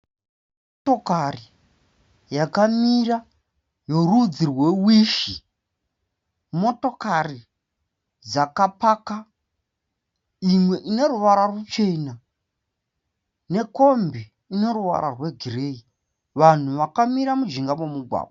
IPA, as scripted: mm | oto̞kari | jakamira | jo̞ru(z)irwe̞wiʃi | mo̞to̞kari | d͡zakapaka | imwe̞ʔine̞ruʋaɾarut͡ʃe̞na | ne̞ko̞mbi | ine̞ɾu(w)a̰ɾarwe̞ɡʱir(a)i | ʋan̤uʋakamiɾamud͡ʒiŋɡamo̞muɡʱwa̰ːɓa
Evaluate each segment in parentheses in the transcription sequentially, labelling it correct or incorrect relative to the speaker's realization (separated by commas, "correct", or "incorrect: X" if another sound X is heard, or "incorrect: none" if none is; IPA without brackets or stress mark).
incorrect: d͡z, incorrect: ʋ, incorrect: e